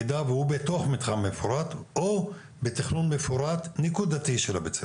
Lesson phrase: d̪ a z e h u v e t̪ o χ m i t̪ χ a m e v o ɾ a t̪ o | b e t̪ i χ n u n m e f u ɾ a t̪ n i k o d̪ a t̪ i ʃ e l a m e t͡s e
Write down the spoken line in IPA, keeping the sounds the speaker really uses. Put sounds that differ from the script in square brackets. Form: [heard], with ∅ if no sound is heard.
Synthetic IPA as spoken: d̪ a [v] e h u [b] e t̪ o χ m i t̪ χ a m e [f] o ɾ a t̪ o | b e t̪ i χ n u n m e f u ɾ a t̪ n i k [u] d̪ a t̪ i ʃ e l a [b] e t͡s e